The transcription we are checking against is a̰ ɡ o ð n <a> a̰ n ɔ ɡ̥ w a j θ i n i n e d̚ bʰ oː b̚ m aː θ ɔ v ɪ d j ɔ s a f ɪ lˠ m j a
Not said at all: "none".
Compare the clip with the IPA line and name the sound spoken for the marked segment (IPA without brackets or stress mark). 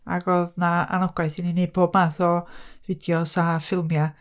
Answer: a